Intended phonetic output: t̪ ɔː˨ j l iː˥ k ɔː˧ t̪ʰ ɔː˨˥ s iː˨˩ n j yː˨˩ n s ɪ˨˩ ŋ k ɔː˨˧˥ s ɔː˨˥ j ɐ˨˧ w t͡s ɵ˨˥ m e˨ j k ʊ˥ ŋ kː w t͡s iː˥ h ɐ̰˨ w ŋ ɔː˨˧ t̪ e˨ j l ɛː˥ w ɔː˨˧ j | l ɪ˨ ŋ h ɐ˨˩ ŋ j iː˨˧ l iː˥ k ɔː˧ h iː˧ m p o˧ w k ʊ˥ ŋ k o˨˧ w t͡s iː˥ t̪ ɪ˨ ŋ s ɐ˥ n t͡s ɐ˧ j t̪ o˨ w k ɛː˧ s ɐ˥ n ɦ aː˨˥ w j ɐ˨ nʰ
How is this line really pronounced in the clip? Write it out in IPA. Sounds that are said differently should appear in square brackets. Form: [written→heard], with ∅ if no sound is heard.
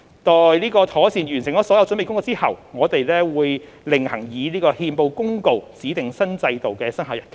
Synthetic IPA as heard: t̪ ɔː˨ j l iː˥ k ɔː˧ t̪ʰ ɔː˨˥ s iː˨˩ n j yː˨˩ n s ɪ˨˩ ŋ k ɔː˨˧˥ s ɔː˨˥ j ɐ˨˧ w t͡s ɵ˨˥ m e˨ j k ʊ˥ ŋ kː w t͡s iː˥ h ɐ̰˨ w ŋ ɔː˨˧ t̪ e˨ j l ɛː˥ w [ɔː˨˧→uː˨˧] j | l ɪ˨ ŋ h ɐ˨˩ ŋ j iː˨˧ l iː˥ k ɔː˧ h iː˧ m p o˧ w k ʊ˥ ŋ k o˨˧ w t͡s [iː˥→iː˨˥] t̪ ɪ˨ ŋ s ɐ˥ n t͡s ɐ˧ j t̪ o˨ w k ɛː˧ s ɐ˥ n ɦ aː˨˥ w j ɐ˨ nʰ